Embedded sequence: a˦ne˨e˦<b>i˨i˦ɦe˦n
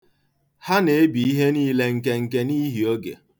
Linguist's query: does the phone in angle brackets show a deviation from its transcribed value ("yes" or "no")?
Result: no